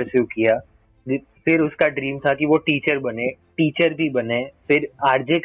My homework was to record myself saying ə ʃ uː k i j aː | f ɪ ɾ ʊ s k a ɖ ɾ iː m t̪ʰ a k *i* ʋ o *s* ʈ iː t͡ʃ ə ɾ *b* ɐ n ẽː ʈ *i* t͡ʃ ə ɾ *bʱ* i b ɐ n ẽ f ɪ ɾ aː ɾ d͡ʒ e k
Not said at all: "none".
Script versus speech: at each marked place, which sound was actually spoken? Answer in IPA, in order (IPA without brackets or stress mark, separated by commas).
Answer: i, none, b, iː, bʱ